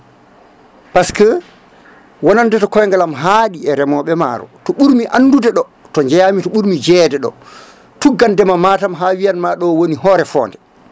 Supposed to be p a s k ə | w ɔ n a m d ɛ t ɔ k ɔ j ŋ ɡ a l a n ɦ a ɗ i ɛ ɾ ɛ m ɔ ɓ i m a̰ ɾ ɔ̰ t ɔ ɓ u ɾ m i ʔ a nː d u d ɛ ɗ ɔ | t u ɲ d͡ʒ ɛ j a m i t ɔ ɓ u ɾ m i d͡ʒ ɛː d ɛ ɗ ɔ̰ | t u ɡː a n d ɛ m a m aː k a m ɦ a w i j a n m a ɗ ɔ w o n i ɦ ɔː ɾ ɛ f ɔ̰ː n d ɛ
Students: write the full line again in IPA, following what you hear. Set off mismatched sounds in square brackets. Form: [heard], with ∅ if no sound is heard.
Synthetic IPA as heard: p a s k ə | w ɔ n a [n] d ɛ t ɔ k ɔ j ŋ ɡ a l a [m] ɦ a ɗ i ɛ ɾ ɛ m ɔ ɓ [ɛ] m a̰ ɾ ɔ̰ t ɔ ɓ u ɾ m i ʔ a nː d u d ɛ ɗ ɔ | t [ɔ] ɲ d͡ʒ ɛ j a m i t ɔ ɓ u ɾ m i d͡ʒ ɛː d ɛ ɗ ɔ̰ | t u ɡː a n d ɛ m a m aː [t] a m ɦ a w i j a n m a ɗ ɔ w o n i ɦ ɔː ɾ ɛ f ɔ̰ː n d ɛ